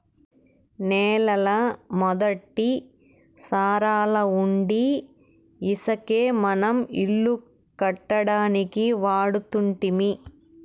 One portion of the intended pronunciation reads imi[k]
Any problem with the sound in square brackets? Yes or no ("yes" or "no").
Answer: yes